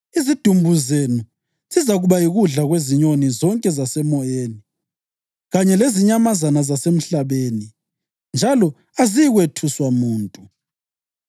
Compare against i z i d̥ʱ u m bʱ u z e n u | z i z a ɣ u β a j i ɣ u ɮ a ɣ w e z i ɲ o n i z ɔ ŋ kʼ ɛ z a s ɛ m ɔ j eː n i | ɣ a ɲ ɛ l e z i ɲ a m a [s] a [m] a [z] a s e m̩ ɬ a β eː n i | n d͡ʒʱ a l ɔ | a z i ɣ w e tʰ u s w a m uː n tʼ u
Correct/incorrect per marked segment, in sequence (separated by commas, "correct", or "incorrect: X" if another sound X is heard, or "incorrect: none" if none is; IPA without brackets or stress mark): incorrect: z, incorrect: n, correct